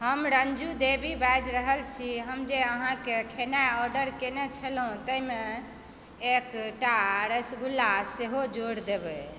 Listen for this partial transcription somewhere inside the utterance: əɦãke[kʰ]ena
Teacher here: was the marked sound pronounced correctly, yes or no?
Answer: yes